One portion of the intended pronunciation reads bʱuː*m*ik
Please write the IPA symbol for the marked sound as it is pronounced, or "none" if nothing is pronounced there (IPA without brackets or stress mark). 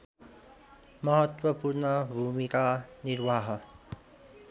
m